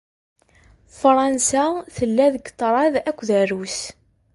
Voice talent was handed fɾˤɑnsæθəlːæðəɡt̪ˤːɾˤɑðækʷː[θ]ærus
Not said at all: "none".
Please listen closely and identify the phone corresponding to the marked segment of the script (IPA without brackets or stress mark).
ð